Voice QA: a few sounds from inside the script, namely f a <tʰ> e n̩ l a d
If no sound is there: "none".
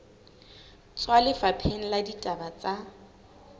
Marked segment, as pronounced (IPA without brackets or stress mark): pʰ